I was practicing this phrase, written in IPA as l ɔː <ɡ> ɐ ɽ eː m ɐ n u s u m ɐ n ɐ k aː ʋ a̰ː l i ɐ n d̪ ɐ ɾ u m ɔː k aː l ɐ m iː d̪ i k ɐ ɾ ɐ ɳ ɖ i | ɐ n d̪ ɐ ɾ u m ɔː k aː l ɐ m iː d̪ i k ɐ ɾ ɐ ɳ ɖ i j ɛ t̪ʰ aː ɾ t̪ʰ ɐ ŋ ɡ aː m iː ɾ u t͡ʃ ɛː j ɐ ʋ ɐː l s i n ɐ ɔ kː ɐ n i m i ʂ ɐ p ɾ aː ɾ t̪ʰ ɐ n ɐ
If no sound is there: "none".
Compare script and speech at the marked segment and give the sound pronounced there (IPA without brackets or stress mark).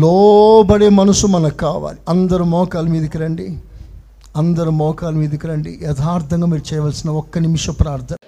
b